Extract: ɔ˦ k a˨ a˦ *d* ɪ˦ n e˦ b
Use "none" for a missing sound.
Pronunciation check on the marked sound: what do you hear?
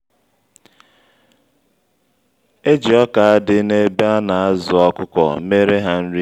d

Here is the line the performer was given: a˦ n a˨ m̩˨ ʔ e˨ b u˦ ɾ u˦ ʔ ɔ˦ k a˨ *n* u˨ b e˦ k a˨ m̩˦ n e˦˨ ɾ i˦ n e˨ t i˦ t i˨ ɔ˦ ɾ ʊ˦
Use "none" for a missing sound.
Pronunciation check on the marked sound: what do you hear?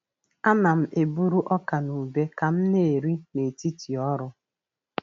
n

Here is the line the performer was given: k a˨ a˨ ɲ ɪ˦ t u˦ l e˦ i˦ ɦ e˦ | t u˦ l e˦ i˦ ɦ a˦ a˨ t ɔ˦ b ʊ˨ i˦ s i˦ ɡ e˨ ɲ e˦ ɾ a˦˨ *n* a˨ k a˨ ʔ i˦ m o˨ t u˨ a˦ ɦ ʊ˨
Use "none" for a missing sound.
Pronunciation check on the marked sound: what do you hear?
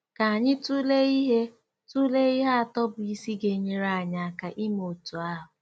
ɲ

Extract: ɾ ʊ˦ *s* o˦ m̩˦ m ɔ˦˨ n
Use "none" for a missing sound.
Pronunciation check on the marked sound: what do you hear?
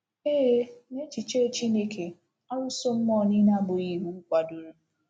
s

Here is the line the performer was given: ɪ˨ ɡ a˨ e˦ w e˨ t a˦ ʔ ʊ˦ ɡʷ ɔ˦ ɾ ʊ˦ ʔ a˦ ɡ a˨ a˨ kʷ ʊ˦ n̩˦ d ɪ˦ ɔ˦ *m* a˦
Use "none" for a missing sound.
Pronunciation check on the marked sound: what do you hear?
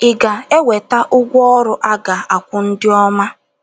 m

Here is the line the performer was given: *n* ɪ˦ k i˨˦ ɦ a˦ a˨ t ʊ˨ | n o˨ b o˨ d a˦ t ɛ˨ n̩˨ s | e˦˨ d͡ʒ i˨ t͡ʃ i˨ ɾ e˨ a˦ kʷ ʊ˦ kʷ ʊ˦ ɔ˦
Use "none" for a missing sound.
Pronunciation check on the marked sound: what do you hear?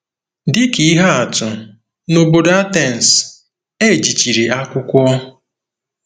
d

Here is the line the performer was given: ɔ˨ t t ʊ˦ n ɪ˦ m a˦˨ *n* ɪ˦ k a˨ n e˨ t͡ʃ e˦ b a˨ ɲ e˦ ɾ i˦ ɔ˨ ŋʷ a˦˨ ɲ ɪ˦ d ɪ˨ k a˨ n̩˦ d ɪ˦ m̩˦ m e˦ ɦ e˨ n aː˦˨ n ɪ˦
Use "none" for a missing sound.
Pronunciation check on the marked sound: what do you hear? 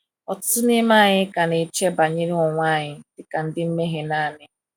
ɲ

